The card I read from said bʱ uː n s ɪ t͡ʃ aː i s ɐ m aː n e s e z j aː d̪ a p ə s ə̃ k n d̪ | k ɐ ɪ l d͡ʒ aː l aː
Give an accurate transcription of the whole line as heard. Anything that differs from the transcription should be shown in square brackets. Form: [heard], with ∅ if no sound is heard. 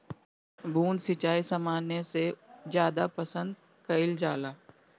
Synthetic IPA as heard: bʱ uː n s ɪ t͡ʃ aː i s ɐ m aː n e s e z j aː d̪ a p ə s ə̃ [∅] n d̪ | k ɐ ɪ l d͡ʒ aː l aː